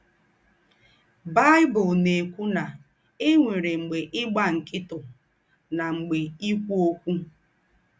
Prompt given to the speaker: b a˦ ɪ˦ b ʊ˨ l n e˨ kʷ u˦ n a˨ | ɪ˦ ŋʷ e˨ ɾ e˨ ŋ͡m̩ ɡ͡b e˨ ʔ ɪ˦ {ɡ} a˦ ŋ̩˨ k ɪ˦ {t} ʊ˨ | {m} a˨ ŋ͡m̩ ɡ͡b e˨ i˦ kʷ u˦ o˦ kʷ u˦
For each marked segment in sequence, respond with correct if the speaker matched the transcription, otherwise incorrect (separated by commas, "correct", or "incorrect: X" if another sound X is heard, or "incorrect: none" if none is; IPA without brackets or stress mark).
incorrect: ɡ͡b, correct, incorrect: n